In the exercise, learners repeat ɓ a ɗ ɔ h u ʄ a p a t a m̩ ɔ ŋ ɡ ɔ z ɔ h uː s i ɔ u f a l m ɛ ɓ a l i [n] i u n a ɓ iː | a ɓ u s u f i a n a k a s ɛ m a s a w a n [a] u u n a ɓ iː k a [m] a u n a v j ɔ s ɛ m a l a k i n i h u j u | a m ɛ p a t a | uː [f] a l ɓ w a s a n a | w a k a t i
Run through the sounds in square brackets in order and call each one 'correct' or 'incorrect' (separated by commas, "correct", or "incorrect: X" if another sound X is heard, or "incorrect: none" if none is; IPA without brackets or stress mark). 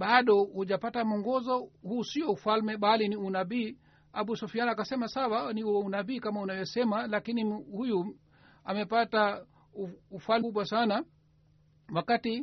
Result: correct, incorrect: i, correct, correct